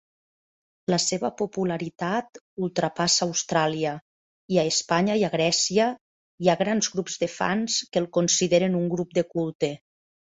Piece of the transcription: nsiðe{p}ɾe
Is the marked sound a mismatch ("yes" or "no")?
yes